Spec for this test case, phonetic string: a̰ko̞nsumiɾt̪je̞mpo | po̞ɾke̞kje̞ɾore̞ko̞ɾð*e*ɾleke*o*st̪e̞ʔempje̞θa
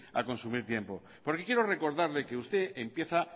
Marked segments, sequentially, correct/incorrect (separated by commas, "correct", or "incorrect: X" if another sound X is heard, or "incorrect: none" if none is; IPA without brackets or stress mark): incorrect: a, incorrect: u